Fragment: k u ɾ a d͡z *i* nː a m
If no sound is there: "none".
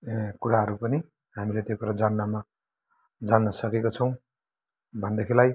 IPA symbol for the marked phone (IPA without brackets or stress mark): a